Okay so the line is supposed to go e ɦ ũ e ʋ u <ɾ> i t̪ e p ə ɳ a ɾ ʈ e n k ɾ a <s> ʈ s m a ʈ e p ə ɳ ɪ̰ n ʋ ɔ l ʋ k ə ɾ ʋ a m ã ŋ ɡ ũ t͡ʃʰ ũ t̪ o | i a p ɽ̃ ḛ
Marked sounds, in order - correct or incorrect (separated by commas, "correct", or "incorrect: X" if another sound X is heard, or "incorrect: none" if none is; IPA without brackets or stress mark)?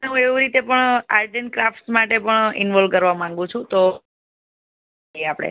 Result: correct, incorrect: f